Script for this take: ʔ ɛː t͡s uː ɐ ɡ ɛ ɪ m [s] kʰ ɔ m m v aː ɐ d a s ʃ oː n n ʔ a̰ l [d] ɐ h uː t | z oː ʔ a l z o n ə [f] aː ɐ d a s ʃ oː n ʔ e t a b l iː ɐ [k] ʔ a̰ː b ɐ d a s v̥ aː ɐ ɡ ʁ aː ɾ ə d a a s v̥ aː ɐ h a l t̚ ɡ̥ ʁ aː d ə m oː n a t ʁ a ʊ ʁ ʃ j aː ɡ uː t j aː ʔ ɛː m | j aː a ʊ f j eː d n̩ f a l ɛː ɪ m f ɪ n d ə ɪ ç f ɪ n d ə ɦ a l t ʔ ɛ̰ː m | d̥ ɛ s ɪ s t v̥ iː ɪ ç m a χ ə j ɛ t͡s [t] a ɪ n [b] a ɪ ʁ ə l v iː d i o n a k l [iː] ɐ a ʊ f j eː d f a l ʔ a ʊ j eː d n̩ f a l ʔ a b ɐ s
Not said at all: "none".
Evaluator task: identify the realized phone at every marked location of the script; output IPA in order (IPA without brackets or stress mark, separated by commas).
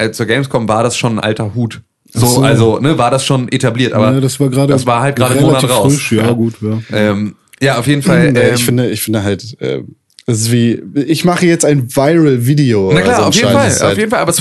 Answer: s, t, v, t, t, v, aː